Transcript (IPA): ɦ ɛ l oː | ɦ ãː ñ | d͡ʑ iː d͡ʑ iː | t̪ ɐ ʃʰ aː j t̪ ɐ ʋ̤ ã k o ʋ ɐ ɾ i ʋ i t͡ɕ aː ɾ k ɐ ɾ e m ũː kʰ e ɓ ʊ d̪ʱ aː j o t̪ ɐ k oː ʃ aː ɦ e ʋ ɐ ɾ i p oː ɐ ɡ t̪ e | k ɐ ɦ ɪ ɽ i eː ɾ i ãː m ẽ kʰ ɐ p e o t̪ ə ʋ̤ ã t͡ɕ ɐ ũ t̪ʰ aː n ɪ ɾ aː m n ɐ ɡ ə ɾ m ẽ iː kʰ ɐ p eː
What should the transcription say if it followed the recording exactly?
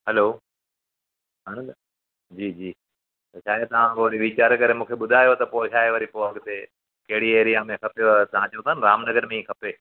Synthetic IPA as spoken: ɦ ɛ l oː | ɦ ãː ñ | d͡ʑ iː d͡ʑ iː | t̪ ɐ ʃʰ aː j t̪ ɐ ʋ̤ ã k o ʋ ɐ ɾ i ʋ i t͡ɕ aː ɾ k ɐ ɾ e m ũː kʰ e ɓ ʊ d̪ʱ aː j o t̪ ɐ p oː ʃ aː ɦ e ʋ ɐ ɾ i p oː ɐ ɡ t̪ e | k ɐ ɦ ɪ ɽ i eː ɾ i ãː m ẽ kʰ ɐ p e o t̪ ɐ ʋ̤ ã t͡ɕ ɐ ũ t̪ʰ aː n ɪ ɾ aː m n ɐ ɡ ə ɾ m ẽ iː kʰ ɐ p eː